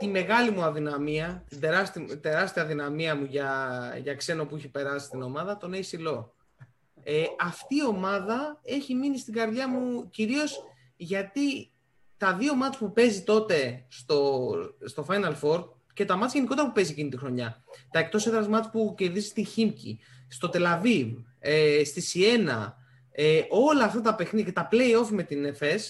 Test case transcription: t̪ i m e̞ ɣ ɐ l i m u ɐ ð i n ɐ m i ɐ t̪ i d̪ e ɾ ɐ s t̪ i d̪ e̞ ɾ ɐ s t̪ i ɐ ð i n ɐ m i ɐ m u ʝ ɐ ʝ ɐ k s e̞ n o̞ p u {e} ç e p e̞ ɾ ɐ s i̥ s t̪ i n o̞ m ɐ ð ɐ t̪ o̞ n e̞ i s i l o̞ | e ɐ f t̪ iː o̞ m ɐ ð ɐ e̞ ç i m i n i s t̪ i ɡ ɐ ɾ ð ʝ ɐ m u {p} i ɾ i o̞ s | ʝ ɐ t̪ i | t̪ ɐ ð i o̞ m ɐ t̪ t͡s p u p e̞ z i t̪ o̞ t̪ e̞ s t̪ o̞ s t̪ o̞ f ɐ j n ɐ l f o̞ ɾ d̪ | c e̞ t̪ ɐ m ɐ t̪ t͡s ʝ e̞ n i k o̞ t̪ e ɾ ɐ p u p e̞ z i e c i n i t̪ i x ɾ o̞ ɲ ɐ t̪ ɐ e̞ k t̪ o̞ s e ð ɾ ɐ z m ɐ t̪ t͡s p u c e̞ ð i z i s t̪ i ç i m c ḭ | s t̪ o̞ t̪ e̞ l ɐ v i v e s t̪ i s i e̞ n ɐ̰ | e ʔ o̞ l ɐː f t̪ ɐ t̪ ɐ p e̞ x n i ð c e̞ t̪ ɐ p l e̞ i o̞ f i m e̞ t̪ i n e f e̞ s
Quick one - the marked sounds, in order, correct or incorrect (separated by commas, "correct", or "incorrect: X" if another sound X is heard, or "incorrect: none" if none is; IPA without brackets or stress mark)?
incorrect: i, incorrect: c